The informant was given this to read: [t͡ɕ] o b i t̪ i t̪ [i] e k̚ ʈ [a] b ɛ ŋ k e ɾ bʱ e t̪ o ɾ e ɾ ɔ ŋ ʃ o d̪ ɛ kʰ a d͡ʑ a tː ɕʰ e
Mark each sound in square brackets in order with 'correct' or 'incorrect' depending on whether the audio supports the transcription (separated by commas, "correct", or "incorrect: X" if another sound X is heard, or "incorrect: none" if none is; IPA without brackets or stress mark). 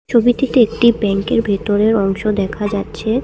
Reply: incorrect: t͡ɕʰ, incorrect: e, incorrect: i